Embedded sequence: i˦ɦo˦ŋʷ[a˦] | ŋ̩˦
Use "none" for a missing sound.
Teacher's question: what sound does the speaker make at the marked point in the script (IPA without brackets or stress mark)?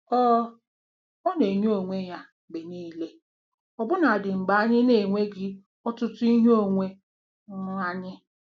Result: e˦